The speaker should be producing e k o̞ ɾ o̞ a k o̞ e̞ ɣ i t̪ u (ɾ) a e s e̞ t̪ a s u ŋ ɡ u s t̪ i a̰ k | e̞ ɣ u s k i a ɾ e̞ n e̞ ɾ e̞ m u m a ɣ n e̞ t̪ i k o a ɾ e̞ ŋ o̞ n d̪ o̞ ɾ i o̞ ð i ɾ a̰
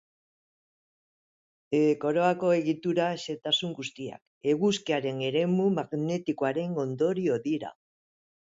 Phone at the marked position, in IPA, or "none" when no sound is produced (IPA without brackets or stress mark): ɾ